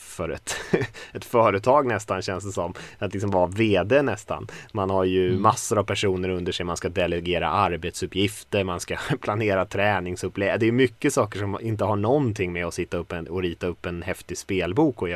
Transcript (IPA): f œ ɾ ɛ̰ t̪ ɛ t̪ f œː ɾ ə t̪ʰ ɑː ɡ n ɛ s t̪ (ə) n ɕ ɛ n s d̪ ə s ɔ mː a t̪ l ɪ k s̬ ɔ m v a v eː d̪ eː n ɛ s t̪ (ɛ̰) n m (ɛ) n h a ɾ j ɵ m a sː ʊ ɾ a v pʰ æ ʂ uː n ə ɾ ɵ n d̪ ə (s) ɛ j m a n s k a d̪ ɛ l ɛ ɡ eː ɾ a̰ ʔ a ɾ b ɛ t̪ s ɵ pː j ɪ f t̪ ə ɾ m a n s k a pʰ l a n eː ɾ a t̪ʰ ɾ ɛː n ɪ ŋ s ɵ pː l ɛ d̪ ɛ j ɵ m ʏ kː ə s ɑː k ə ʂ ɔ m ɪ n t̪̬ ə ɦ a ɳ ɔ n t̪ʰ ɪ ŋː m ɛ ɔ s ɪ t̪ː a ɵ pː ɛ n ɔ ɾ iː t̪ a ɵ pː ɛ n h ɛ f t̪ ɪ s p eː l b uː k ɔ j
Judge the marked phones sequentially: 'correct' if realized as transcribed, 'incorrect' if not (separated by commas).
incorrect, incorrect, incorrect, incorrect